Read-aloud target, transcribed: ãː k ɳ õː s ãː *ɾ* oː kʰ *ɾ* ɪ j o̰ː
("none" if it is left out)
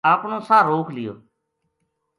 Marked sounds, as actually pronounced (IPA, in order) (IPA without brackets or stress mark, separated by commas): ɾ, l